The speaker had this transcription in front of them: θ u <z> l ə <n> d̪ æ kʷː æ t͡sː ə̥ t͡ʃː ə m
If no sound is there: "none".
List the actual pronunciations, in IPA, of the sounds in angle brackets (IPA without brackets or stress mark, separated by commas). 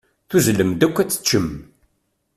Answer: z, m